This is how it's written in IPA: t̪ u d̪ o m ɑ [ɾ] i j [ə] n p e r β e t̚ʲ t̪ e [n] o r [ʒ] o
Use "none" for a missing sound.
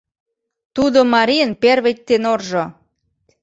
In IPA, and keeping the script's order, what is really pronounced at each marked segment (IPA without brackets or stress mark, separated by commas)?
ɾ, ə, n, ʒ